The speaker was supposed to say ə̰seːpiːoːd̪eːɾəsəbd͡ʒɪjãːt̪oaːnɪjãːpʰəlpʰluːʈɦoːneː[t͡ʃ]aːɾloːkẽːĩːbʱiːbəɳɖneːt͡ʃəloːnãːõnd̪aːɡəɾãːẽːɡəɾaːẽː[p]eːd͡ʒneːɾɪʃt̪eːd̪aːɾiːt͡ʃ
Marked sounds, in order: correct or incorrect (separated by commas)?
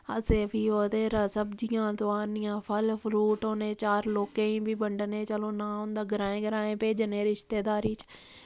correct, correct